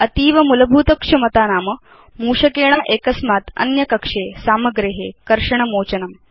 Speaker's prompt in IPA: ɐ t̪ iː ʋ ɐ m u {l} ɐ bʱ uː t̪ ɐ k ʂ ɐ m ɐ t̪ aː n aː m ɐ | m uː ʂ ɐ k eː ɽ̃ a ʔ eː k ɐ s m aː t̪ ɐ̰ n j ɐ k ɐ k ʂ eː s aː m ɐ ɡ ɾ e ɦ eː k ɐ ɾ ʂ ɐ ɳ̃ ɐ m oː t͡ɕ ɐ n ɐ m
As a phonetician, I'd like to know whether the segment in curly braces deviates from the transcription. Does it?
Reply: no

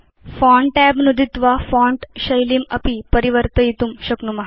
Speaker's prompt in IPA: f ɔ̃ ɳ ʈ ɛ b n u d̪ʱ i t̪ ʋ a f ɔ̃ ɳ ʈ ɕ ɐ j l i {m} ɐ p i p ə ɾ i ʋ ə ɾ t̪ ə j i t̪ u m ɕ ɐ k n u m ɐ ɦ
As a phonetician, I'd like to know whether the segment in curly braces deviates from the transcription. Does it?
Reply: no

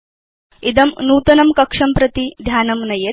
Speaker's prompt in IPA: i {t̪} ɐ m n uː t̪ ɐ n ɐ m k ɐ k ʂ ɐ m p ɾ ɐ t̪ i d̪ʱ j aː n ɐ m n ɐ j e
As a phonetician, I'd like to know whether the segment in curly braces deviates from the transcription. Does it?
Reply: yes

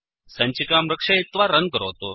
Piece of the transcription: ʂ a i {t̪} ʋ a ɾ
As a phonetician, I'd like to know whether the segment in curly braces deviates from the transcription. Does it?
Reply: no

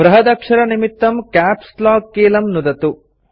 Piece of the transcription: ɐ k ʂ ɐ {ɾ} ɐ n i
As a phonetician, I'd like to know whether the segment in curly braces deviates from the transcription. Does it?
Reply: no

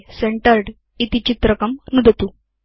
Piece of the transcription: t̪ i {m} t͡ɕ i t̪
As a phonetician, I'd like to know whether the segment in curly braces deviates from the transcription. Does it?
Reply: yes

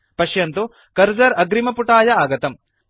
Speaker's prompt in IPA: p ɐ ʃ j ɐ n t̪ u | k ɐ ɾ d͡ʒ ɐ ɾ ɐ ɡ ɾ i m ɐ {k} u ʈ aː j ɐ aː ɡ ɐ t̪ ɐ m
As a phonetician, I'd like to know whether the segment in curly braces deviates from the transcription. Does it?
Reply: yes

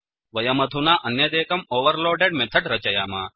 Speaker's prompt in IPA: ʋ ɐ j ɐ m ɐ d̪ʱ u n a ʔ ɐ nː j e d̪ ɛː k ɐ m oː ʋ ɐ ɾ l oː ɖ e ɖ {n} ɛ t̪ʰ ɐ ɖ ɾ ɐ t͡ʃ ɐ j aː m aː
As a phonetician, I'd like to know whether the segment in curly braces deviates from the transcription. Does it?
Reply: yes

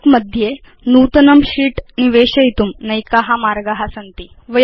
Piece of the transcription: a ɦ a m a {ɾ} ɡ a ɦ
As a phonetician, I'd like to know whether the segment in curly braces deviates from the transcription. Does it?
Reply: no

